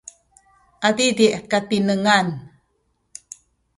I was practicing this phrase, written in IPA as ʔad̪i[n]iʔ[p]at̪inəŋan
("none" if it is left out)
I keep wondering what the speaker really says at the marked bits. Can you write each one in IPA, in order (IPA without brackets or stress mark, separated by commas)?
d, k